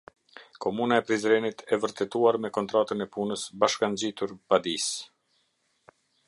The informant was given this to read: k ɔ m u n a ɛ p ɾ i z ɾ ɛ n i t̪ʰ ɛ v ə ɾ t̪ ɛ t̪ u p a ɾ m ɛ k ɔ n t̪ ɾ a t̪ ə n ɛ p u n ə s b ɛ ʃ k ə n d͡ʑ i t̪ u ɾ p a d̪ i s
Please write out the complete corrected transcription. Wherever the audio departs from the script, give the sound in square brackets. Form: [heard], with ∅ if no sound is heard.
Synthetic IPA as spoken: k ɔ m u n a ɛ p ɾ i z ɾ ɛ n i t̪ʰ ɛ v ə ɾ t̪ ɛ t̪ u [∅] a ɾ m ɛ k ɔ n t̪ ɾ a t̪ ə n ɛ p u n ə s b [a] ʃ k [a] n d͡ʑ i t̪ u ɾ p a d̪ i s